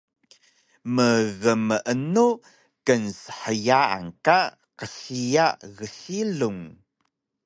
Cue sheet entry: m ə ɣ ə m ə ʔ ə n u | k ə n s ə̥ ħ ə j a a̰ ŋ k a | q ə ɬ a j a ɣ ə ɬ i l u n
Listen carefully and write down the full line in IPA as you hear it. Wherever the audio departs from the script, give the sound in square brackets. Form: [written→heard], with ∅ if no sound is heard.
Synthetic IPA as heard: m ə ɣ ə m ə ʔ ə n u | k ə n s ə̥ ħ ə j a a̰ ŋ k a | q ə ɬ [a→i] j a ɣ ə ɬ i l u [n→ŋ]